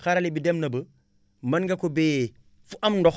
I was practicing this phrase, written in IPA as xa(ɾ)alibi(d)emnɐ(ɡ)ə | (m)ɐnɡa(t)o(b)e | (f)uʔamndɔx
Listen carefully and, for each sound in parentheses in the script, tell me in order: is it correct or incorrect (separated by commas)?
correct, correct, incorrect, correct, incorrect, correct, correct